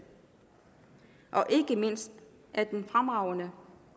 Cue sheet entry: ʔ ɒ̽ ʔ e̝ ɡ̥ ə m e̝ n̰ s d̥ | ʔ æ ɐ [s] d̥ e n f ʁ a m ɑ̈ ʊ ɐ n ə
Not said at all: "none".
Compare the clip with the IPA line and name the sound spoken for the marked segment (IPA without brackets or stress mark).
none